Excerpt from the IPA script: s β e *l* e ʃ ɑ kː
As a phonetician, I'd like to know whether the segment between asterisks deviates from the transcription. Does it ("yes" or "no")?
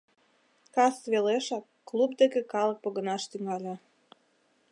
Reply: no